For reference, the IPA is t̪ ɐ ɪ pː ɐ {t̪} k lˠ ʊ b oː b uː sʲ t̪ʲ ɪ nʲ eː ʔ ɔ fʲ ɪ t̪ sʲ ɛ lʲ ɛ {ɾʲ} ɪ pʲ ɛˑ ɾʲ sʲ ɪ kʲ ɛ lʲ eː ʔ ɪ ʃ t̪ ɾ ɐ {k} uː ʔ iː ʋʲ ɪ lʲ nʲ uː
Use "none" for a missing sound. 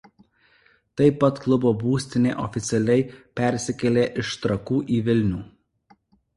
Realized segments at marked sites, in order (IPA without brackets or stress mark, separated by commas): t̪, none, k